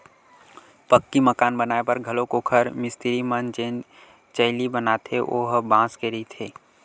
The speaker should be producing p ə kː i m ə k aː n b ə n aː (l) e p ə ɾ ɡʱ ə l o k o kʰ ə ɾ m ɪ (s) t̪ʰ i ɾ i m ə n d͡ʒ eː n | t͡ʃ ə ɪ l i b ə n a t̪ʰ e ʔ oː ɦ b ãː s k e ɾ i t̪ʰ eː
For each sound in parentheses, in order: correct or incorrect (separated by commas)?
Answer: incorrect, correct